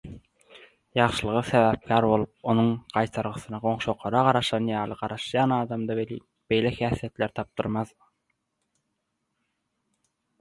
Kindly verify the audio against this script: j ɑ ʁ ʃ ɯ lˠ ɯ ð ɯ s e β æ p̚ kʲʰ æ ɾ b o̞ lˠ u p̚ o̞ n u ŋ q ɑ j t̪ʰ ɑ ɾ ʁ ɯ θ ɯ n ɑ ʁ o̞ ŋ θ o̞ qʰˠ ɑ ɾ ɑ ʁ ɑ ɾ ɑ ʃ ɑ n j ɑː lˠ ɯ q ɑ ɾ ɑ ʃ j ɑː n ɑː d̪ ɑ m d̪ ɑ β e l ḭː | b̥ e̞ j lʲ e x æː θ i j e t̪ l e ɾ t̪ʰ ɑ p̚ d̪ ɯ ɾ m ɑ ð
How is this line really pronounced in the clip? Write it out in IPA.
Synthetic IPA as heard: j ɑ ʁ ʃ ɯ lˠ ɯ ʁ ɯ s e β æ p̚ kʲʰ æ ɾ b o̞ lˠ u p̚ o̞ n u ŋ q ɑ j t̪ʰ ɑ ɾ ʁ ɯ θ ɯ n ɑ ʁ o̞ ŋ ʃ o̞ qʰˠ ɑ ɾ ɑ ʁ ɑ ɾ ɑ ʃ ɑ n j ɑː lˠ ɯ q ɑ ɾ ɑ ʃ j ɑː n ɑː d̪ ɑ m d̪ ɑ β e l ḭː | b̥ e̞ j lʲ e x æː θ i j e t̪ l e ɾ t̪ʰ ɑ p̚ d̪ ɯ ɾ m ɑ ð